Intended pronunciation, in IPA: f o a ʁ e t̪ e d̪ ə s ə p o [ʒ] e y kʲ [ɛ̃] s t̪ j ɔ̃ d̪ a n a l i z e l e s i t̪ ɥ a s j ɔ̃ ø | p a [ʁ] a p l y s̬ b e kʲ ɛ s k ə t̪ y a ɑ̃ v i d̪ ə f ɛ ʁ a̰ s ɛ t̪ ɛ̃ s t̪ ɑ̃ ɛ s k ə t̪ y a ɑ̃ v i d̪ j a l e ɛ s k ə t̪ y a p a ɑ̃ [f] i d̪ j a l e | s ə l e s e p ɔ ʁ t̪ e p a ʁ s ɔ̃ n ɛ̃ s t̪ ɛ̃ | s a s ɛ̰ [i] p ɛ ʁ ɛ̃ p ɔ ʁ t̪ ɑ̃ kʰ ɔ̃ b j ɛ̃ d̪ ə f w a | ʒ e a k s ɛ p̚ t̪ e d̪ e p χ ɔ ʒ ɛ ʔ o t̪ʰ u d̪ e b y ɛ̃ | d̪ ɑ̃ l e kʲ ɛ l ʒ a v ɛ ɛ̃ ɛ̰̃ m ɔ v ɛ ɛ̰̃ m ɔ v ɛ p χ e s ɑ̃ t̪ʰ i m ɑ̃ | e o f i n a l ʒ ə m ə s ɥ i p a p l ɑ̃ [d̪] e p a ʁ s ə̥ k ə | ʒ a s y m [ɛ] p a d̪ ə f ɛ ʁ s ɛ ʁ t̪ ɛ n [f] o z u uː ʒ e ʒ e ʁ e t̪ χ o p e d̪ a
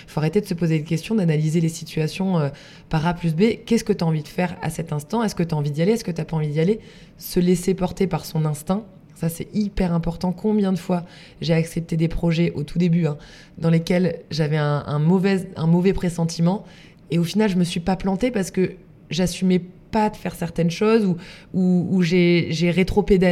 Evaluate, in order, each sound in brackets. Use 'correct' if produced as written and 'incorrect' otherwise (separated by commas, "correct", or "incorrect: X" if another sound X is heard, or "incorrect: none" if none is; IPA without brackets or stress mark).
incorrect: z, incorrect: ɛ, correct, incorrect: v, correct, incorrect: t̪, correct, incorrect: ʃ